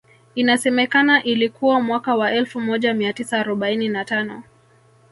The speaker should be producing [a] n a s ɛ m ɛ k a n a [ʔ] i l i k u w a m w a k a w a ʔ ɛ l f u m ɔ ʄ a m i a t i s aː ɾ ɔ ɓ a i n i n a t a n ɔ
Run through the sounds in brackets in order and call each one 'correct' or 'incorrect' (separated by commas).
incorrect, correct